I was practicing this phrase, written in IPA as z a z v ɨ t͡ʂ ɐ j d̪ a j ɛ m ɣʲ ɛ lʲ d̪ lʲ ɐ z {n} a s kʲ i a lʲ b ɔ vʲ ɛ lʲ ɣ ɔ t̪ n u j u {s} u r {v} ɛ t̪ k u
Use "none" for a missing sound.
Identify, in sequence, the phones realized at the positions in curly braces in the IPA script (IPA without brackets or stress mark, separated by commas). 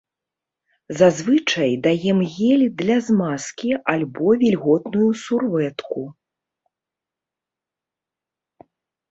m, s, v